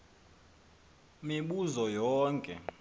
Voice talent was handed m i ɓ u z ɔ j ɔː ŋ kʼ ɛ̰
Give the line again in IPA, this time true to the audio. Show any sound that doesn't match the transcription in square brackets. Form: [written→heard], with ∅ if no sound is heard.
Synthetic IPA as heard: m i ɓ u z ɔ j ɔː ŋ kʼ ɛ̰